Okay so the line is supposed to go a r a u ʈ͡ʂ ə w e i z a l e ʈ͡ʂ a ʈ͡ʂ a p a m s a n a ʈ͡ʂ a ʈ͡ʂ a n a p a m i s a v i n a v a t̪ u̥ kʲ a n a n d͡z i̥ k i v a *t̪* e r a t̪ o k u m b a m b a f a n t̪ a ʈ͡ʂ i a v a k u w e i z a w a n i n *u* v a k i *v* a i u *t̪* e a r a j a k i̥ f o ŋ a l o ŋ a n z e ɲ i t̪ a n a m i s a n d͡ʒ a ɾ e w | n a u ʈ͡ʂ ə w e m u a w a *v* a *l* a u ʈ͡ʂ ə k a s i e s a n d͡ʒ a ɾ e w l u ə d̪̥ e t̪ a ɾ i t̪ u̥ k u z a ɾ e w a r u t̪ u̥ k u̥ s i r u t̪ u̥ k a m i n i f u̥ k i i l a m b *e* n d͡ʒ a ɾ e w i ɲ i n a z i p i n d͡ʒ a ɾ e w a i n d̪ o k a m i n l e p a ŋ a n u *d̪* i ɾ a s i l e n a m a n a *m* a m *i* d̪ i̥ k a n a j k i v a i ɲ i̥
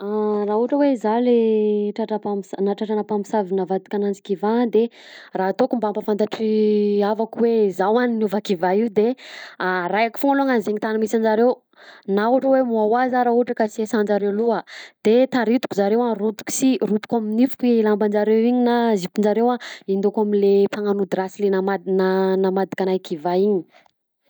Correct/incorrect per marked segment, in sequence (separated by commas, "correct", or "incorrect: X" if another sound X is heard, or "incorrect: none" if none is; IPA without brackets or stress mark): incorrect: d̪, correct, correct, incorrect: d̪, incorrect: z, incorrect: ɾ, incorrect: a, correct, incorrect: n, incorrect: a